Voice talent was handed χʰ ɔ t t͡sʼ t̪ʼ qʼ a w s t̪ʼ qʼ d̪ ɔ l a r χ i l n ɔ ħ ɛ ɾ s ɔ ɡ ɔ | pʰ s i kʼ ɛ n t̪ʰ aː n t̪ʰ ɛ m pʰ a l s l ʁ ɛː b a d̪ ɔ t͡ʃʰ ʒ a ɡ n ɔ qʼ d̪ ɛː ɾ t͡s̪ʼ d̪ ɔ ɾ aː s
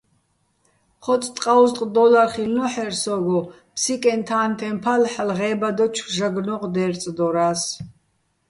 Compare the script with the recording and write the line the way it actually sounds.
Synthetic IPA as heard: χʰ ɔ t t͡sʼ t̪ʼ qʼ a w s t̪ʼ qʼ d̪ ɔ l a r χ i l n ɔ ħ ɛ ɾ s ɔ ɡ ɔ | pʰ s i kʼ ɛ n t̪ʰ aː n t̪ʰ ɛ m pʰ a l ħ l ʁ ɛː b a d̪ ɔ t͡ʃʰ ʒ a ɡ n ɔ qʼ d̪ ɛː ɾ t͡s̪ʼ d̪ ɔ ɾ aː s